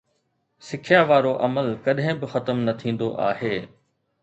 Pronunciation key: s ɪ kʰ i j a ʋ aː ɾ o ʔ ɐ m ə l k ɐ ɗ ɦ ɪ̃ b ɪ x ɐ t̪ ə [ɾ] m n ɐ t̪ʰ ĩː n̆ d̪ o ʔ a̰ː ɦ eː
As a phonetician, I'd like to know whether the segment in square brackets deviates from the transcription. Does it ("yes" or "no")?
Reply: yes